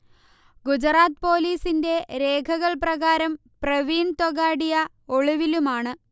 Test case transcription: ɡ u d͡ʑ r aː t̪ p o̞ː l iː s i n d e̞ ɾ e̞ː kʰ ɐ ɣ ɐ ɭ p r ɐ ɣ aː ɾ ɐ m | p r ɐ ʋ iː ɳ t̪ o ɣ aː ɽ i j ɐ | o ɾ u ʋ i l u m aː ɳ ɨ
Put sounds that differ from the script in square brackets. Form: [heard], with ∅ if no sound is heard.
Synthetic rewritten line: ɡ u d͡ʑ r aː t̪ p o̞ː l iː s i n d e̞ ɾ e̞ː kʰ ɐ ɣ ɐ ɭ p r ɐ ɣ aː ɾ ɐ m | p r ɐ ʋ iː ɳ t̪ o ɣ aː ɽ i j ɐ | o [ɭ] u ʋ i l u m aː ɳ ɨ

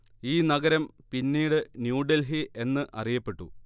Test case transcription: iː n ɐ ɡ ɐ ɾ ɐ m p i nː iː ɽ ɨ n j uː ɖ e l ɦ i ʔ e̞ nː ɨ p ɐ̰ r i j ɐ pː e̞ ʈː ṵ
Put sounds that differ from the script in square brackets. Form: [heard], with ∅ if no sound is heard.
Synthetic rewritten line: iː n ɐ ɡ ɐ ɾ ɐ m p i nː iː ɽ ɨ n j uː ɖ e l ɦ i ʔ e̞ nː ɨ [ʔ] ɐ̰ r i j ɐ pː e̞ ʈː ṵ

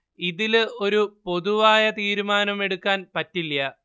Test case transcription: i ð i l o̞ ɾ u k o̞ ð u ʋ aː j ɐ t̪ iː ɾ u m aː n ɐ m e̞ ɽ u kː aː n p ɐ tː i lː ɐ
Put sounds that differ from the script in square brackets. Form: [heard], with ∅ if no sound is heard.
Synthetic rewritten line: i ð i l o̞ ɾ u [p] o̞ ð u ʋ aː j ɐ t̪ iː ɾ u m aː n ɐ m e̞ ɽ u kː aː n p ɐ tː i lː ɐ

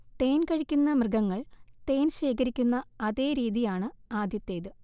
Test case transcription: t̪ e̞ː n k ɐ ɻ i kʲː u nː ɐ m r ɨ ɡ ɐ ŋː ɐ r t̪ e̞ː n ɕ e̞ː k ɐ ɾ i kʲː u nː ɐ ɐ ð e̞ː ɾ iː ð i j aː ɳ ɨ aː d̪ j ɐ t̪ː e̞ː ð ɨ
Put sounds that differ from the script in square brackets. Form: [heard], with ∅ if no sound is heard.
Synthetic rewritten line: t̪ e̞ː n k ɐ ɻ i kʲː u nː ɐ m r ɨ ɡ ɐ ŋː ɐ [ɭ] t̪ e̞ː n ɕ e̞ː k ɐ ɾ i kʲː u nː ɐ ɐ ð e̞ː ɾ iː ð i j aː ɳ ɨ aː d̪ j ɐ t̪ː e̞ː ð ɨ

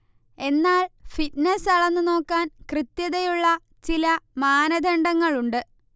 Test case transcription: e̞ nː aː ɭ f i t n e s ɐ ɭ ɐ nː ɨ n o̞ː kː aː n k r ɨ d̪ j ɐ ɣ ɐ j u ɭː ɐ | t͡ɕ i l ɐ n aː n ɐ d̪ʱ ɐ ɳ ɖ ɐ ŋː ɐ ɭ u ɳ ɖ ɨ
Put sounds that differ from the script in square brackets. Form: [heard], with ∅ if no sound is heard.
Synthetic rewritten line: e̞ nː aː ɭ f i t n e s ɐ ɭ ɐ nː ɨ n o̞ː kː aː n k r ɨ [t̪] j ɐ [ð] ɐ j u ɭː ɐ | t͡ɕ i l ɐ [m] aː n ɐ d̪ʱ ɐ ɳ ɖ ɐ ŋː ɐ ɭ u ɳ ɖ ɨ

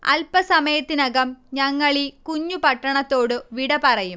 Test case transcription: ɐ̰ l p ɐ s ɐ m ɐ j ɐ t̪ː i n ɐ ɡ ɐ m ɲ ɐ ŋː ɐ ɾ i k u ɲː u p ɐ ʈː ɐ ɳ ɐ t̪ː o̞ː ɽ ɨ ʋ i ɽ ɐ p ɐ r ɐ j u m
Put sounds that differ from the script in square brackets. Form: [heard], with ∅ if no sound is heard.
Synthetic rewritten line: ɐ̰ l p ɐ s ɐ m ɐ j ɐ t̪ː i n ɐ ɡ ɐ m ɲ ɐ ŋː ɐ [ɭ] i k u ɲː u p ɐ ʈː ɐ ɳ ɐ t̪ː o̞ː ɽ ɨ ʋ i ɽ ɐ p ɐ r ɐ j u m

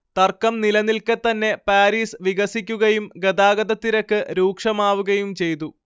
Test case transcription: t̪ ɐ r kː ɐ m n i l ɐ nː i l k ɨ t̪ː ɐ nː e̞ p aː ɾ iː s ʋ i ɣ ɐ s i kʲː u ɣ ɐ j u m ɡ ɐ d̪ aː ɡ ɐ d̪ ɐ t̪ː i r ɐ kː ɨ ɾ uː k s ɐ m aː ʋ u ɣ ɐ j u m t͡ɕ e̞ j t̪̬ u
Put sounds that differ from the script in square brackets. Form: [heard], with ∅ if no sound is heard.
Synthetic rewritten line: t̪ ɐ r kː ɐ m n i l ɐ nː i l k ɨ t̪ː ɐ nː e̞ p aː ɾ iː s ʋ i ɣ ɐ s i kʲː u ɣ ɐ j u m ɡ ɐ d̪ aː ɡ ɐ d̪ ɐ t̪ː i [ɾ] ɐ kː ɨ ɾ uː k [ʂ] ɐ m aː ʋ u ɣ ɐ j u m t͡ɕ e̞ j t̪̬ u

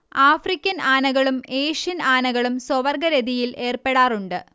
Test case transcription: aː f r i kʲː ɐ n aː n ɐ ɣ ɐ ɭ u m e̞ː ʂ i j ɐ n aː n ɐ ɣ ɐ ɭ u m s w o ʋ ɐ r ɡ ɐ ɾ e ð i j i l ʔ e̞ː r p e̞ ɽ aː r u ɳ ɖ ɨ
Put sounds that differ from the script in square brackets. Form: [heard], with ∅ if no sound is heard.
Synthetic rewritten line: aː f r i kʲː ɐ n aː n ɐ ɣ ɐ ɭ u m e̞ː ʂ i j ɐ n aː n ɐ ɣ ɐ ɭ u m s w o ʋ ɐ r ɡ ɐ ɾ e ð i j i l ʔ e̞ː r p e̞ ɽ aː r u ɳ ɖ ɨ

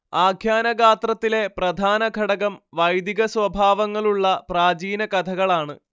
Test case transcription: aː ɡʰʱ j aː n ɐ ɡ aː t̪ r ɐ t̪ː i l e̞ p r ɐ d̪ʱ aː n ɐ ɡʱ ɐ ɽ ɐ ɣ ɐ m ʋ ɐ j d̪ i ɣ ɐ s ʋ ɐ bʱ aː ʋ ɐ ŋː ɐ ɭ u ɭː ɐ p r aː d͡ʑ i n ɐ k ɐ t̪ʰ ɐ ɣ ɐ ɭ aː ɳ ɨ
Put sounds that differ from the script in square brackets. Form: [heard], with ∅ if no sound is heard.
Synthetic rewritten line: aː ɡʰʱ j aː n ɐ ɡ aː t̪ r ɐ t̪ː i l e̞ p r ɐ d̪ʱ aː n ɐ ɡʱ ɐ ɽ ɐ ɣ ɐ m ʋ ɐ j d̪ i ɣ ɐ s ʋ ɐ bʱ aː ʋ ɐ ŋː ɐ ɭ u ɭː ɐ p r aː d͡ʑ [iː] n ɐ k ɐ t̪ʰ ɐ ɣ ɐ ɭ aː ɳ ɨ

